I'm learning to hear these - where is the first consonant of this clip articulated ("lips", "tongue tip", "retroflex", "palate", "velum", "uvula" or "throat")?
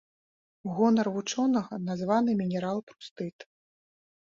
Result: velum